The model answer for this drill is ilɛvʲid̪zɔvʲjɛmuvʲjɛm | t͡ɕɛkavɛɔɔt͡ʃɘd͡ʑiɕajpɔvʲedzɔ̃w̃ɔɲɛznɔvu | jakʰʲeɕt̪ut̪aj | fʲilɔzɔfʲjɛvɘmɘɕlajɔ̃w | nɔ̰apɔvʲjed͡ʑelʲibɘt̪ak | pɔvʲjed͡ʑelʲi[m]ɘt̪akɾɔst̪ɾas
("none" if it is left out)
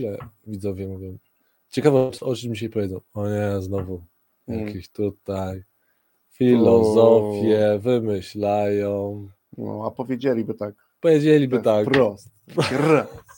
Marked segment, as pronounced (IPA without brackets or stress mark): b